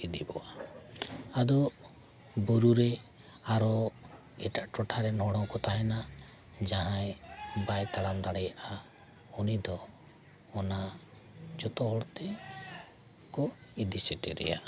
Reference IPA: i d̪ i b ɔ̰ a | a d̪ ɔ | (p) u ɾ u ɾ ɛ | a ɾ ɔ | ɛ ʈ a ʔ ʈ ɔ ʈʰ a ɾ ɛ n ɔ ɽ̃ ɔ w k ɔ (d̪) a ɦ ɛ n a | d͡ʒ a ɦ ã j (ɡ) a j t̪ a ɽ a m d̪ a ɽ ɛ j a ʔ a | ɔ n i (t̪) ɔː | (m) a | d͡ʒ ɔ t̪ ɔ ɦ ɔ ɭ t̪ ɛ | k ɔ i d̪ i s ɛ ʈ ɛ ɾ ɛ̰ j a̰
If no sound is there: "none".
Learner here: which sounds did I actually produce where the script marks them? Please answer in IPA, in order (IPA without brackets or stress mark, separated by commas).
b, t̪, b, d̪, n